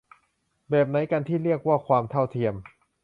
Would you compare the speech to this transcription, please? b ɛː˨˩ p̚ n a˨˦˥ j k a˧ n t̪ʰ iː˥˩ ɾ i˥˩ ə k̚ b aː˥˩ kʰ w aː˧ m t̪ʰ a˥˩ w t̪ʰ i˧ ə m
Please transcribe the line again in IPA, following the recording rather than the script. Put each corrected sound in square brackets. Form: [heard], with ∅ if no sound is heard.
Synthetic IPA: b ɛː˨˩ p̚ n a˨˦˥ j k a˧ n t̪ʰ iː˥˩ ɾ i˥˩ ə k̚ [w] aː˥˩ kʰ w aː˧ m t̪ʰ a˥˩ w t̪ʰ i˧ ə m